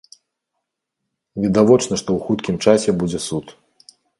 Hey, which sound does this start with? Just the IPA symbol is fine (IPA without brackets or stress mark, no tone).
vʲ